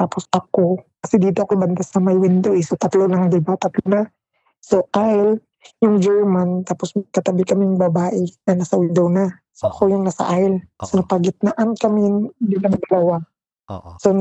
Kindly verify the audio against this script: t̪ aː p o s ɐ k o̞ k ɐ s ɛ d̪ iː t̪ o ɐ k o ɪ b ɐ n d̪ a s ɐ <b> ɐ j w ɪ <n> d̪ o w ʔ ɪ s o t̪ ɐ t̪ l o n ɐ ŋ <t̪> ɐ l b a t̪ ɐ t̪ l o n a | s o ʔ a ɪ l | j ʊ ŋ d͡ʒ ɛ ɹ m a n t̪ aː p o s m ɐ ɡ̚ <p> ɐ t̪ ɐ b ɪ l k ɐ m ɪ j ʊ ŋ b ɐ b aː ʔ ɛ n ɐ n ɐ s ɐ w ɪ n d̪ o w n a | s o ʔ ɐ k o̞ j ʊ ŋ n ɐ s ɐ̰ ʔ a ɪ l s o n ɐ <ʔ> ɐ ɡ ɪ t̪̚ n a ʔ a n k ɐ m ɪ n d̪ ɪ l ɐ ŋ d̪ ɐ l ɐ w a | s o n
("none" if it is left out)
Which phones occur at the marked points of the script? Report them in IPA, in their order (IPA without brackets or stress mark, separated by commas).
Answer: m, n, d̪, k, p